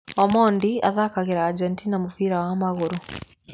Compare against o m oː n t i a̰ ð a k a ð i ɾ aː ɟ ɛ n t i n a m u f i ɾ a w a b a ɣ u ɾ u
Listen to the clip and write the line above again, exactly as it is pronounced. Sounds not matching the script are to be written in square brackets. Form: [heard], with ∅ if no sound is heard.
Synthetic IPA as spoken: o m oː n [d] i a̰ ð a k a [ɣ] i ɾ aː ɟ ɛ n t i n a m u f i ɾ a w a [m] a ɣ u ɾ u